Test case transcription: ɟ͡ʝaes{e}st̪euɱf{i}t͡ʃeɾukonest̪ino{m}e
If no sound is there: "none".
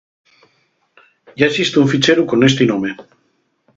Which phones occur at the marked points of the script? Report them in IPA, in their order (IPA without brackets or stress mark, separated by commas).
i, i, m